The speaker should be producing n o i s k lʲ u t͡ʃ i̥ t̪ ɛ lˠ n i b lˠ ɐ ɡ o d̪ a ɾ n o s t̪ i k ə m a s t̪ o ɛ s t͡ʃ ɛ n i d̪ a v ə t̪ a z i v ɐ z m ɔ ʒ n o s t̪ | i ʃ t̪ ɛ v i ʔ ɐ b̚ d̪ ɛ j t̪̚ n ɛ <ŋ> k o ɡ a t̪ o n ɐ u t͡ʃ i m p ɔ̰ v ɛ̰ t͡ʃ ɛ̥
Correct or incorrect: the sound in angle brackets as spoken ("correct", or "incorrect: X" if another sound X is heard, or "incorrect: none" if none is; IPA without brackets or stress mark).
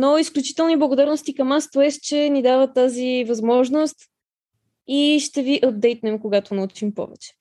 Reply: incorrect: m